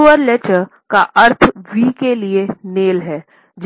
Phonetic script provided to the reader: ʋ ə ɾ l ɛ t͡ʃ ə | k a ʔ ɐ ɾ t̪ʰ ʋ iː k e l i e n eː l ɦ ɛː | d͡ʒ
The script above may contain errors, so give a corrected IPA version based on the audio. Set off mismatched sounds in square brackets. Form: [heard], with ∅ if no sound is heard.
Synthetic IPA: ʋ ə ɾ l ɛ t͡ʃ ə | k a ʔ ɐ ɾ t̪ʰ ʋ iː k e l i e n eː l ɦ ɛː | d͡ʒ